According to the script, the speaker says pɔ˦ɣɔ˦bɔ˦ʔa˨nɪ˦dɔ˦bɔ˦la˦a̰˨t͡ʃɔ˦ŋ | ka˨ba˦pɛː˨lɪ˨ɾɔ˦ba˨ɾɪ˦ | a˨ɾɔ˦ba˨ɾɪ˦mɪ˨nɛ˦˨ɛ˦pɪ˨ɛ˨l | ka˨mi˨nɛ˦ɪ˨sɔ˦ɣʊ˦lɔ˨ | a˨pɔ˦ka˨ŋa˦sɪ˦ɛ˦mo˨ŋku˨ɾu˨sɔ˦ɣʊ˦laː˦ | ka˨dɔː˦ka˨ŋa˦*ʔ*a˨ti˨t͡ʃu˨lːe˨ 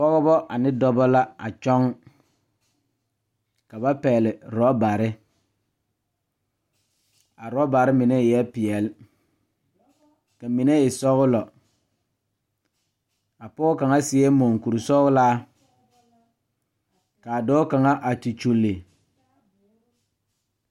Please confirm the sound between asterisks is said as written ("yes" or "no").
yes